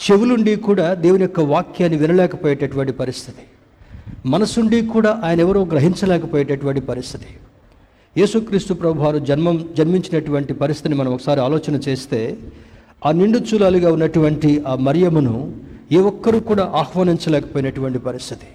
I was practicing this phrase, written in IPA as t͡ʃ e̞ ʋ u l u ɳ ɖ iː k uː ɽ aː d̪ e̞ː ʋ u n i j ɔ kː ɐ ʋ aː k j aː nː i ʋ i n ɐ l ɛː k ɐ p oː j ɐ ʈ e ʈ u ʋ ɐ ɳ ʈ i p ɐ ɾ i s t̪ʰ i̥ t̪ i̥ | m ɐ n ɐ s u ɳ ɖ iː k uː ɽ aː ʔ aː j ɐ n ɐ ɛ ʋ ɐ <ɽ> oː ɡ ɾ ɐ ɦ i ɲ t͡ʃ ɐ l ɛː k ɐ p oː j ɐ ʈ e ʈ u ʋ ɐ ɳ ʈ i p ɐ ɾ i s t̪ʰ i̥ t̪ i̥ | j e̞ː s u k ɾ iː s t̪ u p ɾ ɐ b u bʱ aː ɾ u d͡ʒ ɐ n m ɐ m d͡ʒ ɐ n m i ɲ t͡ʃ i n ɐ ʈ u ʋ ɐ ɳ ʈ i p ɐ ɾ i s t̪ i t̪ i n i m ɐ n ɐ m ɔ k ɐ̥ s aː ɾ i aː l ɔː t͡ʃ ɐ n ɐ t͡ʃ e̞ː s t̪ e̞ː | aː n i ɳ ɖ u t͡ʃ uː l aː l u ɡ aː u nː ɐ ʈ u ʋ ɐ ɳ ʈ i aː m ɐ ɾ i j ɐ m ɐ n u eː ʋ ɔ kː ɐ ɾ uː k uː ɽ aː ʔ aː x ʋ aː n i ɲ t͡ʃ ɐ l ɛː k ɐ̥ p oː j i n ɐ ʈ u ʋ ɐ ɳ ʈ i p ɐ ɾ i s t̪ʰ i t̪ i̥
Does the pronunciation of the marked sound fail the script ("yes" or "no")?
yes